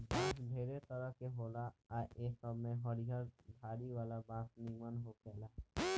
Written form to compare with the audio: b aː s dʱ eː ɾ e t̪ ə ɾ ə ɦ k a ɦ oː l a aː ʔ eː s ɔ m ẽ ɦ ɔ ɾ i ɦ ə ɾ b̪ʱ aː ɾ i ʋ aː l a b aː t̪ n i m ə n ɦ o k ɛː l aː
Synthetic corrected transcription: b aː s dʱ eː ɾ e t̪ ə ɾ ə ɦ k e ɦ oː l a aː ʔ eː s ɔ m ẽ ɦ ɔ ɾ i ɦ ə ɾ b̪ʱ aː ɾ i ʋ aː l a b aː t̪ n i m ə n ɦ o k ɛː l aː